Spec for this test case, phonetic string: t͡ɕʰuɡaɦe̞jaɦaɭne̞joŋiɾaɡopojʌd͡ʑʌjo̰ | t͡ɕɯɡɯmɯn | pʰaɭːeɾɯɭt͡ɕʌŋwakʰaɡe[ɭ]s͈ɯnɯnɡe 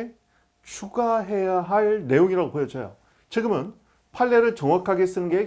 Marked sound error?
yes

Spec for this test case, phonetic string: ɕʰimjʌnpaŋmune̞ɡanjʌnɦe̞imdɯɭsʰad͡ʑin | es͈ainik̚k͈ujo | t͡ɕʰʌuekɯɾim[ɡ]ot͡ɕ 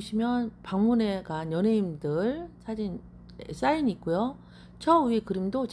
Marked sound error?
yes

